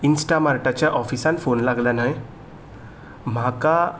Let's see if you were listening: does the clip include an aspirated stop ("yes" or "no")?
no